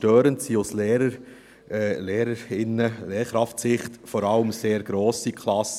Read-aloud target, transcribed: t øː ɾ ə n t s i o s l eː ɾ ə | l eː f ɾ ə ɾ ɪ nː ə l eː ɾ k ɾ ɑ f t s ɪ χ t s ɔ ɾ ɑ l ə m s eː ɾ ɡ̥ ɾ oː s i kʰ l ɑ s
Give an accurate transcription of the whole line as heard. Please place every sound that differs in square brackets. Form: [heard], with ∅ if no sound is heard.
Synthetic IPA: t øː ɾ ə n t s i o s l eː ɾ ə | l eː [∅] ɾ ə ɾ ɪ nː ə l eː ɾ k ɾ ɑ f t s ɪ χ t [f] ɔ ɾ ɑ l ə m s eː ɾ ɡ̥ ɾ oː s i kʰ l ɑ s